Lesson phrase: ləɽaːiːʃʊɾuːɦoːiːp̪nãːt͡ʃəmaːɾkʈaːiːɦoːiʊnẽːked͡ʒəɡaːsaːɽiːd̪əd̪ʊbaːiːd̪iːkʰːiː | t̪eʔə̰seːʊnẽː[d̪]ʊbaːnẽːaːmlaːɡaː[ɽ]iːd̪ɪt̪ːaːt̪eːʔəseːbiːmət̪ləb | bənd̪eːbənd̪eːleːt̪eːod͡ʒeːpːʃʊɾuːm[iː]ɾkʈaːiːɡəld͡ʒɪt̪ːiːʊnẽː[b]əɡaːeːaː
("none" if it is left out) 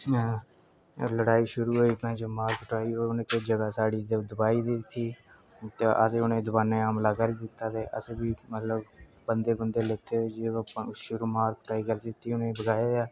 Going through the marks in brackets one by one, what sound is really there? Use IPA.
d̪, ɾ, aː, b

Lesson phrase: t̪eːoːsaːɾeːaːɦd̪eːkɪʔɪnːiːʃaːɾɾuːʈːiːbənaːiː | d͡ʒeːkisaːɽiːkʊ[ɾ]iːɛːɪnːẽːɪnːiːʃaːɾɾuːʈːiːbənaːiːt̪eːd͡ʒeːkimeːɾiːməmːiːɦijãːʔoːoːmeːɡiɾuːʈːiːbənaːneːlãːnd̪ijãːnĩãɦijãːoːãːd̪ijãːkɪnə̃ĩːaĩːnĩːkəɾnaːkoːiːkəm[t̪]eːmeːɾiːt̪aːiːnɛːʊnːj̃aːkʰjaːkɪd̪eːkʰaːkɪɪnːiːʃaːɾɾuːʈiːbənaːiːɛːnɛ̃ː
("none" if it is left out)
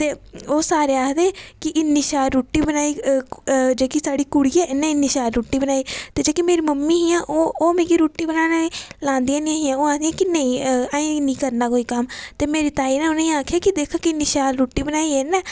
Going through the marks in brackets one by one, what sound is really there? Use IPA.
ɽ, t̪

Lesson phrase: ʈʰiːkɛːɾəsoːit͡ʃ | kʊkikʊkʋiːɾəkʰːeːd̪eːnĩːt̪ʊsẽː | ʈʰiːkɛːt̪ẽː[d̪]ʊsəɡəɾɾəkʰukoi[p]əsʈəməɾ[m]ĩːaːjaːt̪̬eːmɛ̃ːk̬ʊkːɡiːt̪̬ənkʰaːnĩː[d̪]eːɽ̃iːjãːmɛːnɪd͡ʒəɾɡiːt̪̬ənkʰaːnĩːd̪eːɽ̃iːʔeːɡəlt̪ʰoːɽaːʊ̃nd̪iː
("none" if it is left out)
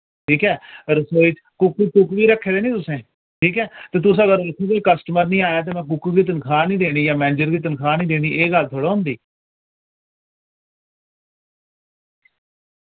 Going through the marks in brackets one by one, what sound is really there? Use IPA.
t̪, k, n, d̪

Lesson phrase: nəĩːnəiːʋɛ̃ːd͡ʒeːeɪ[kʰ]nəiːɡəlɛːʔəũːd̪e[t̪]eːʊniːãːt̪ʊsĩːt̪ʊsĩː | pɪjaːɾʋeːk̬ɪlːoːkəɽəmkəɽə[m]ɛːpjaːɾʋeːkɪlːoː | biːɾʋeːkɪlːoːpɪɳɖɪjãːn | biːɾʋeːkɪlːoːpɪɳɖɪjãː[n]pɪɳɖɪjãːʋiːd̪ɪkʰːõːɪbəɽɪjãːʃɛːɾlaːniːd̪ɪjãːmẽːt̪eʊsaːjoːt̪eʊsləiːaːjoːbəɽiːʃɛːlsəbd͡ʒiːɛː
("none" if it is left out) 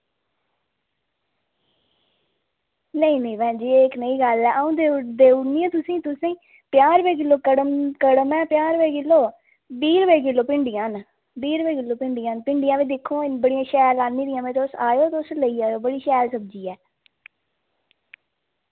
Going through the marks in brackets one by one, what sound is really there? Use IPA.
k, d̪, m, n

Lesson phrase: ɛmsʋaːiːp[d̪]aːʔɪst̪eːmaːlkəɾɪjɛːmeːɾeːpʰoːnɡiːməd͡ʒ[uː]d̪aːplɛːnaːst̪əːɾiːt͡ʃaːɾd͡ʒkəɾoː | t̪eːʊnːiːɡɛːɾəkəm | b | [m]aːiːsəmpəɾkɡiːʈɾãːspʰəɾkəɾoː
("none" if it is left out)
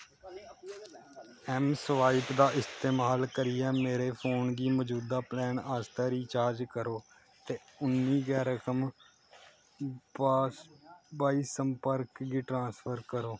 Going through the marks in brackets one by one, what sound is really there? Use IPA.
d̪, uː, b

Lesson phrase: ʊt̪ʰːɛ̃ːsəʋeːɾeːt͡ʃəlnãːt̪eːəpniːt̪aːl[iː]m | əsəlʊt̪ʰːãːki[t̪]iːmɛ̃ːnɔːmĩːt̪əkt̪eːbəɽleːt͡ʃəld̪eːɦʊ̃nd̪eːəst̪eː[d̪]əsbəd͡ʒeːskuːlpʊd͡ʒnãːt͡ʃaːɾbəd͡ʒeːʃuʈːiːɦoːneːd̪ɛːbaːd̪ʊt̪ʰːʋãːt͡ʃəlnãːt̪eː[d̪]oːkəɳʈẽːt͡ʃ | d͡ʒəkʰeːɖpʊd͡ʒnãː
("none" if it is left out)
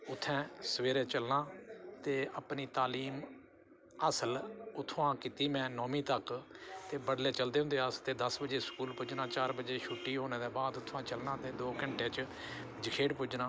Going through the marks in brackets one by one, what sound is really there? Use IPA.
iː, t̪, d̪, d̪

